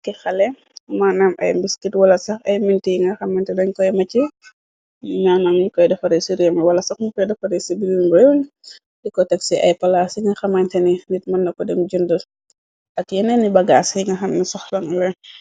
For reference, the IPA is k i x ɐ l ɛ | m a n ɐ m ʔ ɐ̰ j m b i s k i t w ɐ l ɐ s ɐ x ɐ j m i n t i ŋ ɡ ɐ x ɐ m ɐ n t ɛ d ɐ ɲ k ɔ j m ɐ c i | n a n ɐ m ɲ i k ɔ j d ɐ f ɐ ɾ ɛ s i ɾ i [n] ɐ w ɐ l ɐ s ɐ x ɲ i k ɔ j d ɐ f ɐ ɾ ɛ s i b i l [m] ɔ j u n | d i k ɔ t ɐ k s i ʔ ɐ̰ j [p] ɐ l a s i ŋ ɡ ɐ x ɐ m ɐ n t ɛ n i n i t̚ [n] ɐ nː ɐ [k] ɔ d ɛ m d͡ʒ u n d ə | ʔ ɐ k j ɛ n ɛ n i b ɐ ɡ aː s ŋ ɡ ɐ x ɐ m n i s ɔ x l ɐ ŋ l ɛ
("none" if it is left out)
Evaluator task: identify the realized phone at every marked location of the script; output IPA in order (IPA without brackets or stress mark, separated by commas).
m, b, p, m, k